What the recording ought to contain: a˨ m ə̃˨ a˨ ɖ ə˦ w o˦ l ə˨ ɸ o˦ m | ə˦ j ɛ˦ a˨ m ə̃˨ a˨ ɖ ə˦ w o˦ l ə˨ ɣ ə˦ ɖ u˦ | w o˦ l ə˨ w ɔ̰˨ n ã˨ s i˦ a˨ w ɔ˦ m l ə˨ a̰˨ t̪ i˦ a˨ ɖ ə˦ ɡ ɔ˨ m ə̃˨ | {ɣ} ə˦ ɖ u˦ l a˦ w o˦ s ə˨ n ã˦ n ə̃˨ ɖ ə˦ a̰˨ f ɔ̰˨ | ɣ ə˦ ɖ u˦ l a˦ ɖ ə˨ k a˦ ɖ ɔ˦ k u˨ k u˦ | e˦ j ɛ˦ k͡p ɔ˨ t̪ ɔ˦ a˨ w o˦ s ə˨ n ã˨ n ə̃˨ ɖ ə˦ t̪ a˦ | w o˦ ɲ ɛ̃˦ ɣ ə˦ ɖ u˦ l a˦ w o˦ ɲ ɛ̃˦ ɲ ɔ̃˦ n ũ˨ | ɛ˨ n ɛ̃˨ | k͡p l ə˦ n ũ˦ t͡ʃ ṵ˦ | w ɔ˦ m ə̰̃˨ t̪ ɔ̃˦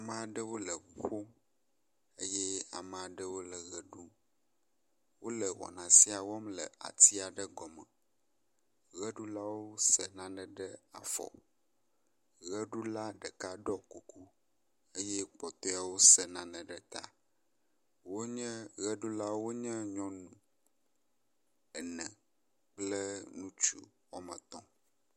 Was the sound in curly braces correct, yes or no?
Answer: yes